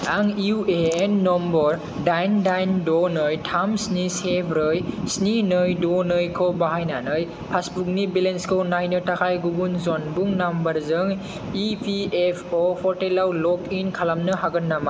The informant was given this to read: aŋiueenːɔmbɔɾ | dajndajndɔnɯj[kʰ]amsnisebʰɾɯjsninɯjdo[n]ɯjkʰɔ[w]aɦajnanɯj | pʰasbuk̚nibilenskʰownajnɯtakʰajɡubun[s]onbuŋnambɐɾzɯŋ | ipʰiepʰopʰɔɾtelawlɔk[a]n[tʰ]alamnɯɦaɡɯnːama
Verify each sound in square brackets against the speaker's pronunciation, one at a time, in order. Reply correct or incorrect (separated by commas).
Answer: incorrect, correct, incorrect, incorrect, incorrect, incorrect